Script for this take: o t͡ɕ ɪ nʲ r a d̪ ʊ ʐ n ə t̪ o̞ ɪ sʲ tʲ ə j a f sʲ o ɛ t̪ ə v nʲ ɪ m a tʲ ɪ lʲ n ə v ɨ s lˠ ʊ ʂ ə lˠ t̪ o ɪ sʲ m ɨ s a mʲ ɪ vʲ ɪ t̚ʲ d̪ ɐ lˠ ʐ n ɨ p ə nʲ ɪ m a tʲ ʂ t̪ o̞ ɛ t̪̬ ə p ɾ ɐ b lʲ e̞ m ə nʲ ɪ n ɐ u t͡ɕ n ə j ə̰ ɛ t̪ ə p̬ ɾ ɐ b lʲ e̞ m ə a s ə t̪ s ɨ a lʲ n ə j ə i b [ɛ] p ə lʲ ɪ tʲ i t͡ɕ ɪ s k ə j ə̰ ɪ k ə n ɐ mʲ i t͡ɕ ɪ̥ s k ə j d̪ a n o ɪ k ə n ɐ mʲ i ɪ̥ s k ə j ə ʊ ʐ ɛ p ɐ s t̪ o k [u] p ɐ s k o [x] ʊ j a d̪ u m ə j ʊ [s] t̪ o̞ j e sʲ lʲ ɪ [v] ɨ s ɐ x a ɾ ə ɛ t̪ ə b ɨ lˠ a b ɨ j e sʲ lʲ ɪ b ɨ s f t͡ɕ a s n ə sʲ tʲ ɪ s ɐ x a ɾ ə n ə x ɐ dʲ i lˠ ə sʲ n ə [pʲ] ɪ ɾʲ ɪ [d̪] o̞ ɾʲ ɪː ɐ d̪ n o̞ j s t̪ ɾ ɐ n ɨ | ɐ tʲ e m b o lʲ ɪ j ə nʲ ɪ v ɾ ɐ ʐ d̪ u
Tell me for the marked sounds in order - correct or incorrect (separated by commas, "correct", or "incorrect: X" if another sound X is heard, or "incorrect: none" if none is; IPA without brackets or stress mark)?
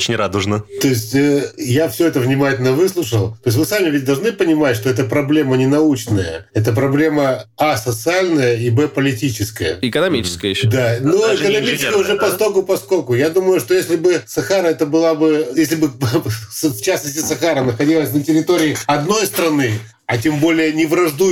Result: correct, incorrect: ʊ, incorrect: k, incorrect: ʂ, incorrect: b, incorrect: tʲ, incorrect: t̪